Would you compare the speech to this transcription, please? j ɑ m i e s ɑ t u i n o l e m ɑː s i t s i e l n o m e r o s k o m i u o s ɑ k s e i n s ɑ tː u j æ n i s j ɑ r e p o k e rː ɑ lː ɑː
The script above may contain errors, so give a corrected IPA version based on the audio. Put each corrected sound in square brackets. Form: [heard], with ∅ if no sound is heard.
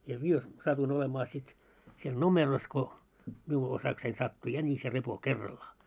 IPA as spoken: j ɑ m i e s ɑ t u i n o l e m ɑː s i t s i e l n o m e r o s k o m i u o s ɑ k s e i n s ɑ tː u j æ n i s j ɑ r e p o k e rː ɑ lː ɑː